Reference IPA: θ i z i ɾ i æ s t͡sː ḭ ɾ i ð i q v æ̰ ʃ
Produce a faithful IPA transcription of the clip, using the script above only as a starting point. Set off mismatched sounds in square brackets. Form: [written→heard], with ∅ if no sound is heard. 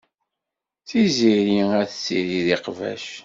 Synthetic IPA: θ i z i ɾ i æ [s→θ] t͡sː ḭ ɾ i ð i q v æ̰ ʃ

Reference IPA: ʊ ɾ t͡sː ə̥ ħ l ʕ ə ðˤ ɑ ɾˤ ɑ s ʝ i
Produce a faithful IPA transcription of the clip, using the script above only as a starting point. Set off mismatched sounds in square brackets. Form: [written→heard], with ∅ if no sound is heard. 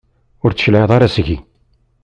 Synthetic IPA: ʊ ɾ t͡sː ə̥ [ħ→ʃ] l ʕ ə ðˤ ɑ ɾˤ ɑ s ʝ i

